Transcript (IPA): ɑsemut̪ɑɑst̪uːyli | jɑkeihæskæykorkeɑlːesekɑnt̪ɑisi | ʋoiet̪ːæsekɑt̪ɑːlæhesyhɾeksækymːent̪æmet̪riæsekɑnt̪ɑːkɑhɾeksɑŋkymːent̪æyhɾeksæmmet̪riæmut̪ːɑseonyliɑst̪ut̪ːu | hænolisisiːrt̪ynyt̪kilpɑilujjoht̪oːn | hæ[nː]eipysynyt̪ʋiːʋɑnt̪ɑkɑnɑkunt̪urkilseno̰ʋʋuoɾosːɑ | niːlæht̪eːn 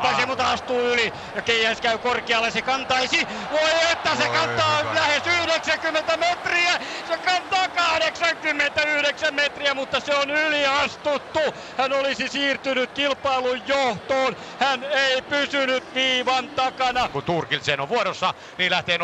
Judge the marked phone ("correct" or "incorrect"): incorrect